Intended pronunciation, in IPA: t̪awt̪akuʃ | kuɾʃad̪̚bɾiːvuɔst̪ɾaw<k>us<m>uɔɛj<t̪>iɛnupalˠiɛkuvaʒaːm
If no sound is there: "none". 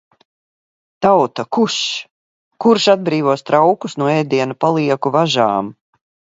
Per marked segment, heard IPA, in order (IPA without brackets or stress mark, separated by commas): k, n, d̪